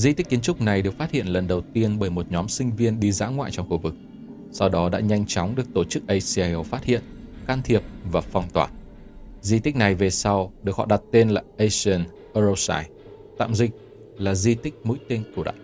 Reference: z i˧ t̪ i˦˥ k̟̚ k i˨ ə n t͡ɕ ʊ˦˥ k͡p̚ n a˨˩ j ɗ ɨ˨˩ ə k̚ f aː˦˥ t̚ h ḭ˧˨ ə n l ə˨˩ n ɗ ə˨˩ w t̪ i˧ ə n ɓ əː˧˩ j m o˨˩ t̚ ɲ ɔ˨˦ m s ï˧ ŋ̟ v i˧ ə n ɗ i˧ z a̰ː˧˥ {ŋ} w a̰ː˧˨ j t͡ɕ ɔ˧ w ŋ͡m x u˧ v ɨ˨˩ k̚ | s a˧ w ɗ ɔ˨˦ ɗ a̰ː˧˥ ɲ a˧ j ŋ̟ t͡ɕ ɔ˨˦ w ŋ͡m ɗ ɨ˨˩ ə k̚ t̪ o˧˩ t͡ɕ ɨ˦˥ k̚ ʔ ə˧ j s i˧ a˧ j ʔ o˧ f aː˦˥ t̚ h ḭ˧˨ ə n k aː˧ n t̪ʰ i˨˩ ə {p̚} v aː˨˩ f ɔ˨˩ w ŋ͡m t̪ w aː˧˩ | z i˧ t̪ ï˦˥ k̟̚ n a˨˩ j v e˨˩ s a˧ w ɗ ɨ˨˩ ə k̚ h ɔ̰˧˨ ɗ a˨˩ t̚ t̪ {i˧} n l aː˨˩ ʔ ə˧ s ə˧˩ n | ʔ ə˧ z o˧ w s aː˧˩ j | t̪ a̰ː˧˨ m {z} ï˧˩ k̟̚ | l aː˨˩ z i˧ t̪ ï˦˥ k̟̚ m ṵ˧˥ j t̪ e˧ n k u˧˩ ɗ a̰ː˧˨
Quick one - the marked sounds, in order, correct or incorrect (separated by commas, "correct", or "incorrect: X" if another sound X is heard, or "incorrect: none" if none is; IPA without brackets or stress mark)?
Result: correct, correct, incorrect: e˧, correct